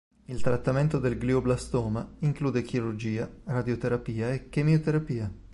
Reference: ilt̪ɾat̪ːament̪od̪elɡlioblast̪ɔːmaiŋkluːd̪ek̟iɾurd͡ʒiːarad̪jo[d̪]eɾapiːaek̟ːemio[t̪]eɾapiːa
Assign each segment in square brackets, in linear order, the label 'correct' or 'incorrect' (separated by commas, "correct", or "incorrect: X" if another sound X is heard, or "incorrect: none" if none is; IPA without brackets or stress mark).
incorrect: t̪, correct